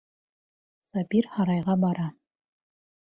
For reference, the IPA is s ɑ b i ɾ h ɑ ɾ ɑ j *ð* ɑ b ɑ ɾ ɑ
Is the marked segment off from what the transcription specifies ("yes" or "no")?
yes